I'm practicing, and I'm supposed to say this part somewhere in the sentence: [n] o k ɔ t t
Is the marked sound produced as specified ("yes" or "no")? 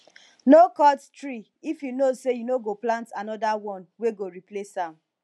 yes